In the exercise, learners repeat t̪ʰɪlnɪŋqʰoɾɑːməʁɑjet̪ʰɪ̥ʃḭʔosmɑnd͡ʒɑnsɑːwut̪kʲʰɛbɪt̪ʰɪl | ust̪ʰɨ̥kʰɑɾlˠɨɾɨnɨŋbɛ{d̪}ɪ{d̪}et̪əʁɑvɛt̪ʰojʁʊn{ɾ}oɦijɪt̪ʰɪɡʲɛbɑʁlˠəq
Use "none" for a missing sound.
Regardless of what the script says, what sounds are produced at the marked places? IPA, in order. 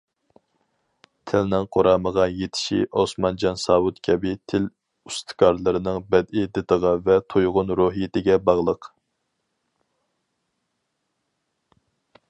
d̪, d̪, ɾ

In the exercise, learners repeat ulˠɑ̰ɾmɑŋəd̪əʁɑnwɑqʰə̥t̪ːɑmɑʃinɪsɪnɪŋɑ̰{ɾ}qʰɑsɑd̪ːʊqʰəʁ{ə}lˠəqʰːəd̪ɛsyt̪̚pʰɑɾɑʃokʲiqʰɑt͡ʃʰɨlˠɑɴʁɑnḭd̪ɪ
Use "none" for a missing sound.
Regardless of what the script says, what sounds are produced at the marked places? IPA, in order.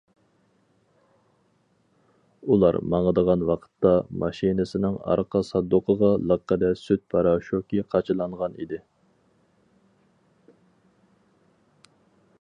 ɾ, ɑ

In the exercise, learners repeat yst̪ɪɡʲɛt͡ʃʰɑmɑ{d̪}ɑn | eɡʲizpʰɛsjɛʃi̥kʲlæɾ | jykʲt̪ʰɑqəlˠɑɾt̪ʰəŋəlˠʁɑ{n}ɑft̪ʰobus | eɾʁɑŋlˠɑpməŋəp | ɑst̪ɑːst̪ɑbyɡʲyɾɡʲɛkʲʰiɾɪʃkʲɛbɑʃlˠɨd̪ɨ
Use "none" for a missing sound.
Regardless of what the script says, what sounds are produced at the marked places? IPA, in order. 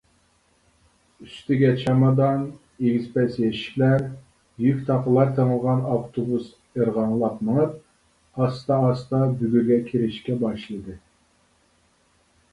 d̪, n

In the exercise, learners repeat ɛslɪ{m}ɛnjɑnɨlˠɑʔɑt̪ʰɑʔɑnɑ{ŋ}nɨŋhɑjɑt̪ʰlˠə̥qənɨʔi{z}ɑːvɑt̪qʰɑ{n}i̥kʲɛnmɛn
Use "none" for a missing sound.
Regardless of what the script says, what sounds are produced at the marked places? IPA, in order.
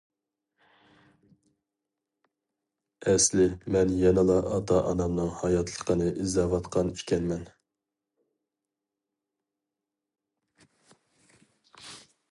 m, m, z, n

